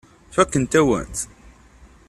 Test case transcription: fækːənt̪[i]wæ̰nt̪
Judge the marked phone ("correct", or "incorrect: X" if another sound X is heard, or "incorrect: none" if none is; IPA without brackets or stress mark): incorrect: æ